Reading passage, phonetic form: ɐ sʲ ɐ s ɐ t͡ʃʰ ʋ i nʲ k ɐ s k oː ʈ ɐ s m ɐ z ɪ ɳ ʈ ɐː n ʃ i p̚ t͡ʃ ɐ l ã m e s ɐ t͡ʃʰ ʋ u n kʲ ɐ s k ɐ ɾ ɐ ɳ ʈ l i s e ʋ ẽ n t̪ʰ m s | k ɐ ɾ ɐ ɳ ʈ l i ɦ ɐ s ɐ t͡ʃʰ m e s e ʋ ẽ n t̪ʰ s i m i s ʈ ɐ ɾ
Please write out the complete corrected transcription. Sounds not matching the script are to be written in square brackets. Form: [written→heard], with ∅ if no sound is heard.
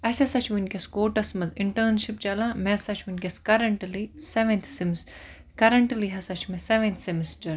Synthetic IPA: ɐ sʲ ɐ s ɐ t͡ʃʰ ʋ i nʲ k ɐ s k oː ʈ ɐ s m ɐ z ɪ ɳ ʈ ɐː n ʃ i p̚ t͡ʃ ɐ l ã m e s ɐ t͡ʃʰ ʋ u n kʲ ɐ s k ɐ ɾ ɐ ɳ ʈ l i s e ʋ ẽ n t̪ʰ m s | k ɐ ɾ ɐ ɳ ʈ l i ɦ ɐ s ɐ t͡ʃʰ m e s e ʋ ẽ n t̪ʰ s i m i s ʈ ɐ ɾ